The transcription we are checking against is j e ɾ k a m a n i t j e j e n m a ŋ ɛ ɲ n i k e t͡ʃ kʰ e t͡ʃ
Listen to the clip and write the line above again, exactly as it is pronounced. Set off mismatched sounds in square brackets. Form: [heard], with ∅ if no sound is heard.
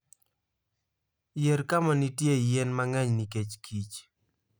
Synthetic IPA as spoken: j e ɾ k a m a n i t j e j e n m a ŋ ɛ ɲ n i k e t͡ʃ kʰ [i] t͡ʃ

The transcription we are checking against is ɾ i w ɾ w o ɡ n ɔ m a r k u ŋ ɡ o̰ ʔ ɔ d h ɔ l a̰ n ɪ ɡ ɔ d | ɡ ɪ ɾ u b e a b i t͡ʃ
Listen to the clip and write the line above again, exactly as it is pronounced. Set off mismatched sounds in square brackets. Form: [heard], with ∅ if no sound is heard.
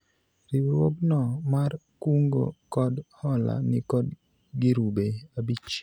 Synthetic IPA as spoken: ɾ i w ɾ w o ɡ n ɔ m a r k u ŋ ɡ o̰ [k] ɔ d h ɔ l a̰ n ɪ [k] ɔ d | ɡ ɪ ɾ u b e a b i t͡ʃ

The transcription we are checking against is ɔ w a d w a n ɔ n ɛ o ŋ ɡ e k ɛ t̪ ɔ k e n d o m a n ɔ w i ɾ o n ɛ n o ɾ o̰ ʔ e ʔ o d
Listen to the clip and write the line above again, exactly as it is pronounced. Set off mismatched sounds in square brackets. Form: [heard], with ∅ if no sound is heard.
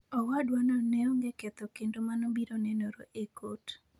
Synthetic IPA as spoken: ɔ w a d w a n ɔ n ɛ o ŋ ɡ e k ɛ t̪ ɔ k e n d o m a n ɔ [b] i ɾ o n ɛ n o ɾ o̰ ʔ e [k] o [t]

